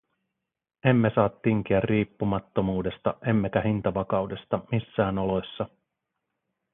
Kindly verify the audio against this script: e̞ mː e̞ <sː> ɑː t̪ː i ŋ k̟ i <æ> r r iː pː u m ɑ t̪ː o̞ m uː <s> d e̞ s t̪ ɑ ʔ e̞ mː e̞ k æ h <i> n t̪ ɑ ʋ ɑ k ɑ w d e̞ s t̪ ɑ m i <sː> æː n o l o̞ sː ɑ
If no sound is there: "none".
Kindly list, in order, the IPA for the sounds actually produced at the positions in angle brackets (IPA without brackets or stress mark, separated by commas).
s, æ, none, i, sː